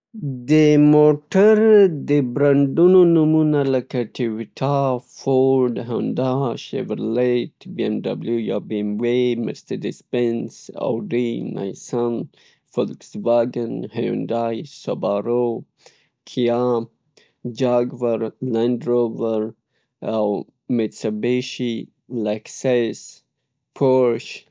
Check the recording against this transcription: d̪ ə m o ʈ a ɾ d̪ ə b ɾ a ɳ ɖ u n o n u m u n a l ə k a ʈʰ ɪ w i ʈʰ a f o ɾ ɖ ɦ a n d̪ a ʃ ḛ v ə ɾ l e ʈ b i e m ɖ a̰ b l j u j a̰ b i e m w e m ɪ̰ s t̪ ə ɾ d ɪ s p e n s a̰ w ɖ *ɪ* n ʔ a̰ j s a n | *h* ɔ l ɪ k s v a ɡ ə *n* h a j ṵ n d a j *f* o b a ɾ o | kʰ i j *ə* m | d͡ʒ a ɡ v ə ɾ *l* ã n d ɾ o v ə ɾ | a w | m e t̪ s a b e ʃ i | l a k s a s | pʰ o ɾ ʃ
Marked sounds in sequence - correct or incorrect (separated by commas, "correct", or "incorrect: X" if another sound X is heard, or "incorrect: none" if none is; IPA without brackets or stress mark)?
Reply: incorrect: i, incorrect: f, correct, incorrect: s, incorrect: a, correct